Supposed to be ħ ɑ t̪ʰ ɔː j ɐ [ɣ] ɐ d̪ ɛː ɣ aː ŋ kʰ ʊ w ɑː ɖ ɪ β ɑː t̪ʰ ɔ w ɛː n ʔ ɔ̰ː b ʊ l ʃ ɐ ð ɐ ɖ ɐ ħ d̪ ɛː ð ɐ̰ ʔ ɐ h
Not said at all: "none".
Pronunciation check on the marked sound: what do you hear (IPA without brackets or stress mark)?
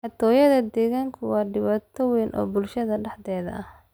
ð